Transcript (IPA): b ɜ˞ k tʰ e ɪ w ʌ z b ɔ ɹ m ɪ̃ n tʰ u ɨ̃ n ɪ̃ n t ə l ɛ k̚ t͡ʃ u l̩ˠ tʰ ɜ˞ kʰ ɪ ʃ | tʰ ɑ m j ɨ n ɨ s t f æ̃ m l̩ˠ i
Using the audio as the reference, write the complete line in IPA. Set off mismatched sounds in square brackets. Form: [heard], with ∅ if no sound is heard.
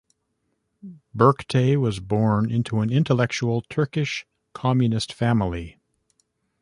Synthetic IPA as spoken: b ɜ˞ k tʰ e ɪ w ʌ z b ɔ ɹ [n] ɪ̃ n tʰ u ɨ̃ n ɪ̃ n t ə l ɛ k̚ t͡ʃ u l̩ˠ tʰ ɜ˞ [k] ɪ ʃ | [kʰ] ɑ m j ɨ n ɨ s t f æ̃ m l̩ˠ i